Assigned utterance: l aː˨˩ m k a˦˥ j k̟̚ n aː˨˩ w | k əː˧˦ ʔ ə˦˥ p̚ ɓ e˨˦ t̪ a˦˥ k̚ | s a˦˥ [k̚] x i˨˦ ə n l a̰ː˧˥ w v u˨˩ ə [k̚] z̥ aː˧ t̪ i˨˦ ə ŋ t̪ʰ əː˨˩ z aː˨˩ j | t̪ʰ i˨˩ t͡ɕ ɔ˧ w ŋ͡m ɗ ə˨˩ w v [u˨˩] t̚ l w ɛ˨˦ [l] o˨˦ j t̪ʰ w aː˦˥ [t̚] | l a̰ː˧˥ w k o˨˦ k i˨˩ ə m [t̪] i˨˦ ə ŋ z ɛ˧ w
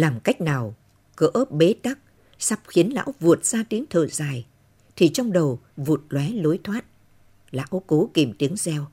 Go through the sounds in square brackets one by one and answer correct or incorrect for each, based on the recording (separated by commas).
incorrect, incorrect, correct, correct, correct, correct